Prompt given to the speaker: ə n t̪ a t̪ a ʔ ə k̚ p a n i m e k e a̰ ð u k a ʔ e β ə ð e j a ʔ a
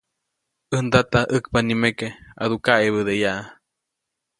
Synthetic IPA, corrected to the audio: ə n d̪ a t̪ a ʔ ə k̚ p a n i m e k e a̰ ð u k a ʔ e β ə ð e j a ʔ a